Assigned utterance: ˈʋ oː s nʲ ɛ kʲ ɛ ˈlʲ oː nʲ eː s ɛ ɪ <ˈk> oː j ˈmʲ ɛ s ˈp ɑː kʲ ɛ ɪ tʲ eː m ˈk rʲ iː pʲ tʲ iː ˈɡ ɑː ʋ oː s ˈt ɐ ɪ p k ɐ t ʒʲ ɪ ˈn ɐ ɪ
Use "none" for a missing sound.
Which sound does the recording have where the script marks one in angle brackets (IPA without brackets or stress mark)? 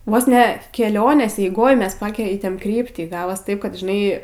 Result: ɡ